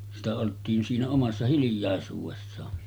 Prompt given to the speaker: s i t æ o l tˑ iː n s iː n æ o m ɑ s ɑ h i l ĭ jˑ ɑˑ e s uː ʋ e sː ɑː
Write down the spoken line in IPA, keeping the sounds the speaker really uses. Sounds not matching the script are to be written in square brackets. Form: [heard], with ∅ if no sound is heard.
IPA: s i t æ o l tˑ iː n s iː n æ o m ɑ [sː] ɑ h i l ĭ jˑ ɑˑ e s uː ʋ e sː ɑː